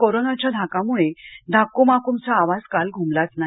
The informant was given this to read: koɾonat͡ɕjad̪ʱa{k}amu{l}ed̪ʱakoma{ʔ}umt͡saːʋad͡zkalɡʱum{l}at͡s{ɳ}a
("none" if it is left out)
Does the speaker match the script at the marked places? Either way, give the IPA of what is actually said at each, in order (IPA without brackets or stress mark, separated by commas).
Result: k, ɭ, k, l, n